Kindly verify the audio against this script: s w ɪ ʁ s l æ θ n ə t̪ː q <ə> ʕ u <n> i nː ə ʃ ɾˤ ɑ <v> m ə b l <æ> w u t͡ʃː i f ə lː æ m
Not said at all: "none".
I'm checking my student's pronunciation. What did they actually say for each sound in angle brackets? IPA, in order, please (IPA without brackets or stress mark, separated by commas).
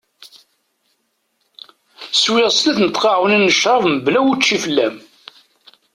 ɑ, n, v, æ